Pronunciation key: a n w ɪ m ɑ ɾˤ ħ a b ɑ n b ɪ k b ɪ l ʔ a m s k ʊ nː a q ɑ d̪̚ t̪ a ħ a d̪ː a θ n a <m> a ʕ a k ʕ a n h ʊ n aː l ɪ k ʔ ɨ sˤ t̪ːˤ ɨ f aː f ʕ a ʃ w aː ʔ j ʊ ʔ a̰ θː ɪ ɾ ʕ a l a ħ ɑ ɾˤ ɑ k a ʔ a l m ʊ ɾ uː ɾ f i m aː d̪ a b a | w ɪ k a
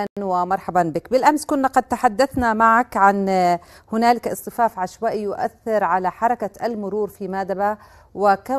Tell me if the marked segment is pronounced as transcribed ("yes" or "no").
yes